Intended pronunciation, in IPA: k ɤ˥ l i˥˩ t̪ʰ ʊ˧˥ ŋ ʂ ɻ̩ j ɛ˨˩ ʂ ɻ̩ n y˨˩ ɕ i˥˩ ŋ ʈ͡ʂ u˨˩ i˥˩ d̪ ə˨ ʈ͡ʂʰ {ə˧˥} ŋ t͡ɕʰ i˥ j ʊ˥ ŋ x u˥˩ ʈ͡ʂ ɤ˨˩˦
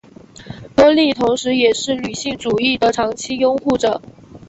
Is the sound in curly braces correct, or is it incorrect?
incorrect